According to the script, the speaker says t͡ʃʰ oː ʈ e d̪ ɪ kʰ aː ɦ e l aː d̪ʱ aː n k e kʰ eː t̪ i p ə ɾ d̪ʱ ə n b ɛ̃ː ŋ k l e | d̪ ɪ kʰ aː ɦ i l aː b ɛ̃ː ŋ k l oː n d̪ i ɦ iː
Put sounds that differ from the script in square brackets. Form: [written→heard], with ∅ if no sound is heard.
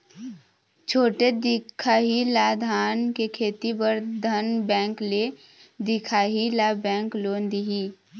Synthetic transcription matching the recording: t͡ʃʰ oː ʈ e d̪ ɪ kʰ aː ɦ [e→i] l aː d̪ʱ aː n k e kʰ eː t̪ i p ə ɾ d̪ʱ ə n b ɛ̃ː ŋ k l e | d̪ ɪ kʰ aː ɦ i l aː b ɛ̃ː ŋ k l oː n d̪ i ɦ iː

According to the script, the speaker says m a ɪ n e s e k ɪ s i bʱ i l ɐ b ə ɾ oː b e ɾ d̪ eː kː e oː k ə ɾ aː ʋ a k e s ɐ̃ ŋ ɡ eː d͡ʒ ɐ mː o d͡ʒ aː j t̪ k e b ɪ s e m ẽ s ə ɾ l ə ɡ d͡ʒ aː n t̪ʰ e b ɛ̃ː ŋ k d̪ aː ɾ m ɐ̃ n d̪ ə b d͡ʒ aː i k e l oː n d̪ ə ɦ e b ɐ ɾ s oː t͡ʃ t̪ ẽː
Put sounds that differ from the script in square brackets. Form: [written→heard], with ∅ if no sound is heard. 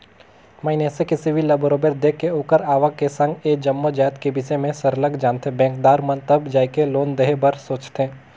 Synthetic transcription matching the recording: m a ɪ n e s e k ɪ s i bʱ i l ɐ b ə ɾ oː b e ɾ d̪ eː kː e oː k ə ɾ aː ʋ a k e s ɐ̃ ŋ ɡ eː d͡ʒ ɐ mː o d͡ʒ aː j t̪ k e b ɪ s e m ẽ s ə ɾ l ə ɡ d͡ʒ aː n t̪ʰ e b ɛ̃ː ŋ k d̪ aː ɾ m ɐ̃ n [d̪→t̪] ə b d͡ʒ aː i k e l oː n d̪ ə ɦ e b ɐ ɾ s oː t͡ʃ t̪ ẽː

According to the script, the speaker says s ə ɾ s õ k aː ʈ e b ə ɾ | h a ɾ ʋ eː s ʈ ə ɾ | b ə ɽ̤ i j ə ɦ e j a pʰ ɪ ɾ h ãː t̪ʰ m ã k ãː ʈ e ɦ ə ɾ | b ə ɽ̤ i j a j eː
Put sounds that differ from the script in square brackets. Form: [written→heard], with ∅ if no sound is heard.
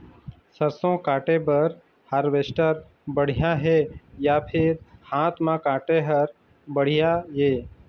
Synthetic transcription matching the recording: s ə ɾ s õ k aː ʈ e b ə ɾ | h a ɾ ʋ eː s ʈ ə ɾ | b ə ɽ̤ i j [ə→a] ɦ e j a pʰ ɪ ɾ h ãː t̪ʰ m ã k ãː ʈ e ɦ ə ɾ | b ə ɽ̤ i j a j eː

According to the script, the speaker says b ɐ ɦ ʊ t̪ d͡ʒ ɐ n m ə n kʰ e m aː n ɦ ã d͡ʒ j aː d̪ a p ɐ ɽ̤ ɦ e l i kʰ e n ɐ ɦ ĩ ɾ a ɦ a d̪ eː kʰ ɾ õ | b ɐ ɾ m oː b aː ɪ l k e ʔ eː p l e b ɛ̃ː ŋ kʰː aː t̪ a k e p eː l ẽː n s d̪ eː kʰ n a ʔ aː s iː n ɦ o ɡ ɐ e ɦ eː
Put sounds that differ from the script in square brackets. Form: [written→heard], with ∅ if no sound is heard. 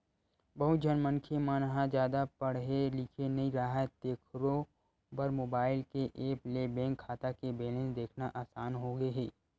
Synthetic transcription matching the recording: b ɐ ɦ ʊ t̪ d͡ʒ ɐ n m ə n kʰ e m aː n ɦ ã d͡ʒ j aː d̪ a p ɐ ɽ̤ ɦ e l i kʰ e n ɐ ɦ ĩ ɾ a ɦ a [d̪→t̪] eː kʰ ɾ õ | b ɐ ɾ m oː b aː ɪ l k e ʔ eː p l e b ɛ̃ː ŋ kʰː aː t̪ a k e [p→b] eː l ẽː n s d̪ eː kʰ n a ʔ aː s [iː→aː] n ɦ o ɡ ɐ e ɦ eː

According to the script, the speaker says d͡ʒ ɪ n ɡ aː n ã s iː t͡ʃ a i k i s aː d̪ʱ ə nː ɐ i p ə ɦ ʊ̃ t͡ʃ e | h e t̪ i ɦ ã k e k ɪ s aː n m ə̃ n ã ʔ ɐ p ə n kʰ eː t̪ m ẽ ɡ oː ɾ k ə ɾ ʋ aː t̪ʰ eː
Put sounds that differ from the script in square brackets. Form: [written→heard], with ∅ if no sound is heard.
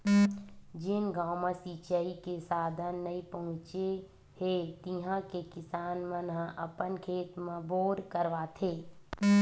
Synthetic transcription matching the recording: d͡ʒ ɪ n ɡ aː [n→m] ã s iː t͡ʃ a i k [i→e] s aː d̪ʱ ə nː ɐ i p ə ɦ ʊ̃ t͡ʃ e | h e t̪ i ɦ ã k e k ɪ s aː n m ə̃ n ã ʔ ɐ p ə n kʰ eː t̪ m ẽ [ɡ→b] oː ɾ k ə ɾ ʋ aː t̪ʰ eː

